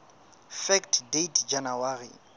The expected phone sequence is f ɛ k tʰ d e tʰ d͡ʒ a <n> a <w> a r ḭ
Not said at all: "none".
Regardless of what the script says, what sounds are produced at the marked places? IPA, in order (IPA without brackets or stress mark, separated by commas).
n, w